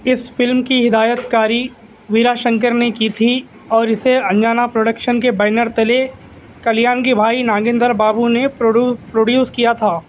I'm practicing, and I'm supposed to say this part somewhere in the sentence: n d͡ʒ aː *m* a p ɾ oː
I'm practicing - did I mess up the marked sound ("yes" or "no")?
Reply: yes